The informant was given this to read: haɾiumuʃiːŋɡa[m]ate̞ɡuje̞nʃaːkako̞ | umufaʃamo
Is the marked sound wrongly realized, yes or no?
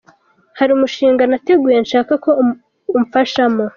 yes